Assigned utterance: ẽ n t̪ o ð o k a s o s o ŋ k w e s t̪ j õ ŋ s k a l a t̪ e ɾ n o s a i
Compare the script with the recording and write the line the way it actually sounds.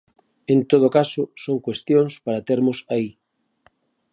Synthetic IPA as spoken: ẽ n t̪ o ð o k a s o s o ŋ k w e s t̪ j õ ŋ s p a ɾ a t̪ e ɾ m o s a i